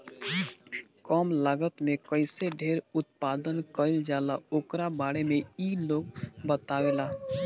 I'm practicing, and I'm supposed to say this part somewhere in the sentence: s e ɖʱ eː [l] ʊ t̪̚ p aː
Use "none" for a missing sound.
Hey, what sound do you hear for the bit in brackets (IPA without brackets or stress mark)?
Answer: ɾ